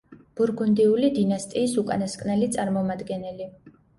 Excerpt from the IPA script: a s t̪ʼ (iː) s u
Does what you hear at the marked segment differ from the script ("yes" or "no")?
no